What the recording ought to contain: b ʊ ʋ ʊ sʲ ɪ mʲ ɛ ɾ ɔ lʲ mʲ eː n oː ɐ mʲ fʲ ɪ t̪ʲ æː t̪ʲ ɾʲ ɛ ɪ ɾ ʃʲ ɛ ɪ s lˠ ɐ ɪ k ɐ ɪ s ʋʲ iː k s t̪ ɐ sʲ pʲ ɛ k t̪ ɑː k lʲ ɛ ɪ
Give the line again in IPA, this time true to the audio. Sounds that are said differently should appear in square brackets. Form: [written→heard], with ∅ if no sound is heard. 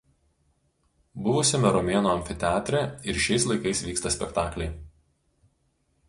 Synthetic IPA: b ʊ ʋ ʊ sʲ ɪ mʲ ɛ ɾ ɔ [lʲ→∅] mʲ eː n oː ɐ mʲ fʲ ɪ t̪ʲ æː t̪ʲ ɾʲ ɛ ɪ ɾ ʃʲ ɛ ɪ s lˠ ɐ ɪ k ɐ ɪ s ʋʲ iː k s t̪ ɐ sʲ pʲ ɛ k t̪ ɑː k lʲ ɛ ɪ